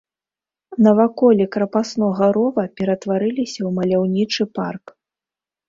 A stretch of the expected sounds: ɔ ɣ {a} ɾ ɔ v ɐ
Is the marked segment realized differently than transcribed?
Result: yes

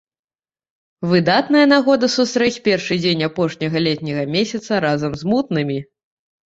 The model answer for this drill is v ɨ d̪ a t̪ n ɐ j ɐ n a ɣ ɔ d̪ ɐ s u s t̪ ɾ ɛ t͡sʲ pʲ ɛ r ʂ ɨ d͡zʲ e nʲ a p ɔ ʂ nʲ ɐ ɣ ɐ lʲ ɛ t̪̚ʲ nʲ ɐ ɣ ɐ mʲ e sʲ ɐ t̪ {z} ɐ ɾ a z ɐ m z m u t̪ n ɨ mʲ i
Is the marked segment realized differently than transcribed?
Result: yes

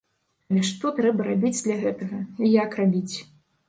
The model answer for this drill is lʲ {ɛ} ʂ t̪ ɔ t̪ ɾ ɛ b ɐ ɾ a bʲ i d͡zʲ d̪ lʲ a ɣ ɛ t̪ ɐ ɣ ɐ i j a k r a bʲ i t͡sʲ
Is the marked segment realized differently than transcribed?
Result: no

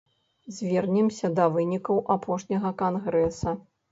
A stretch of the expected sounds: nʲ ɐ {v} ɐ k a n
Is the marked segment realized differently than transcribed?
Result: yes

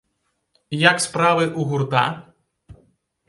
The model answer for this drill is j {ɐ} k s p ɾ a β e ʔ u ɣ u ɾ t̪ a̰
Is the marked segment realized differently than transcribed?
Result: yes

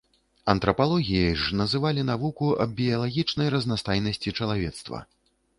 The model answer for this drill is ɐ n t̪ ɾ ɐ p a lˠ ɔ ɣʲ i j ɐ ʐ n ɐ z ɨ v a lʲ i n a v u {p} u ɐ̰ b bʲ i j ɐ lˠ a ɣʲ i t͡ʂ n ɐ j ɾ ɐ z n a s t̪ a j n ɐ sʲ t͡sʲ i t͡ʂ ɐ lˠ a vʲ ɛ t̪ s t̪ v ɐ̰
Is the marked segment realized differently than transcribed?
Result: yes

